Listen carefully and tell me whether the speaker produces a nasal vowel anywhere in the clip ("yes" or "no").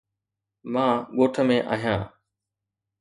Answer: yes